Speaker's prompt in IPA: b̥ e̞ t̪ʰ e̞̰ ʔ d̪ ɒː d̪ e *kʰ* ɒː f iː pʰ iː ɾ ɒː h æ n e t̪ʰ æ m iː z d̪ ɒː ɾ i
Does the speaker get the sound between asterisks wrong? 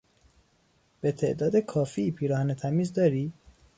no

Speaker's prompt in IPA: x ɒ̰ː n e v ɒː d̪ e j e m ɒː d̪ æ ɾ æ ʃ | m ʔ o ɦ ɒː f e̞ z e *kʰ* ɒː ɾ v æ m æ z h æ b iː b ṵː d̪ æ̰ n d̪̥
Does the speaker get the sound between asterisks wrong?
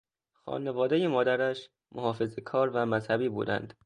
no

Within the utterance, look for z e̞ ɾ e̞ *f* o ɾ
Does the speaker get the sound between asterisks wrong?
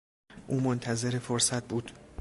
no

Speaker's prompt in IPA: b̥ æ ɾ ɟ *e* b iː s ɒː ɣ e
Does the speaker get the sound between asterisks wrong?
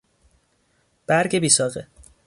no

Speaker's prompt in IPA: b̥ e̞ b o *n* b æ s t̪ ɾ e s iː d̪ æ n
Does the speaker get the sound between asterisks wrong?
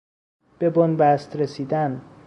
no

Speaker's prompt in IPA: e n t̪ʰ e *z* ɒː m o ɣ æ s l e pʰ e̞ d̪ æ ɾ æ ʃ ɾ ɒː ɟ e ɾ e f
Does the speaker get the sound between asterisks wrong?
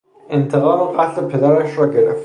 yes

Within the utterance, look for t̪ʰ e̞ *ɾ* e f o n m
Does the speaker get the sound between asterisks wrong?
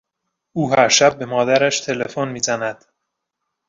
yes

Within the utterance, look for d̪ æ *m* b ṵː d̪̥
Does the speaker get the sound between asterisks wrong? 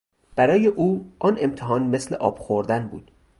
yes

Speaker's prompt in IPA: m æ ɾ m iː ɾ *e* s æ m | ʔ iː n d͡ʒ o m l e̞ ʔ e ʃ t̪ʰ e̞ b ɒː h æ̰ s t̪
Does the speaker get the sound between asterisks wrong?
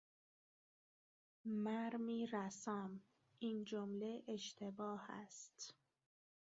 yes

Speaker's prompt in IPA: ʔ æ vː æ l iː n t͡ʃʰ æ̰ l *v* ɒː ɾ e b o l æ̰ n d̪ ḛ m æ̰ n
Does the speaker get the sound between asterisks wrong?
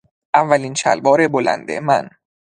yes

